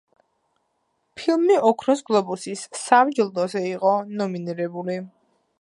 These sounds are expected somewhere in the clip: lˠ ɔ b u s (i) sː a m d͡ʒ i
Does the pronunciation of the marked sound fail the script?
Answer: no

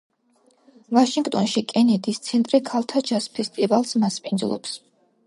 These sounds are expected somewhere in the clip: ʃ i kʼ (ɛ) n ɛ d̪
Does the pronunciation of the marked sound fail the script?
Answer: no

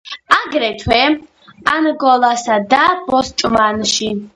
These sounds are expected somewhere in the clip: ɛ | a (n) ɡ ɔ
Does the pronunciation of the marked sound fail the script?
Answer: no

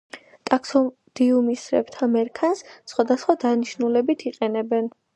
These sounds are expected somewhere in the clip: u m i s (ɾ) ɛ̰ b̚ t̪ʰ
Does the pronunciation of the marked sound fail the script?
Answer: no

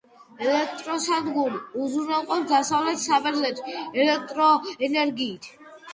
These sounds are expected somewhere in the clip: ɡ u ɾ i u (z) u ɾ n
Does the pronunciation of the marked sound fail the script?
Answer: no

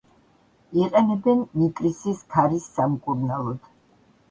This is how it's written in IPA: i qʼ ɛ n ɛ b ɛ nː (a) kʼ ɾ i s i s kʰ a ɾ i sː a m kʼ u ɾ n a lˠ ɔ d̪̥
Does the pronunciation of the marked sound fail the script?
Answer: yes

